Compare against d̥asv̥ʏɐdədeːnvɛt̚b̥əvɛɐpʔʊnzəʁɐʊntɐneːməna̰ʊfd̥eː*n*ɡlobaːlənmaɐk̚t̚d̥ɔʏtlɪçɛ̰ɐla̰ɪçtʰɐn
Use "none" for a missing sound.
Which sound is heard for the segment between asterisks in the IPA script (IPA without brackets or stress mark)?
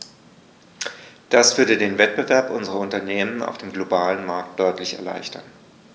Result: m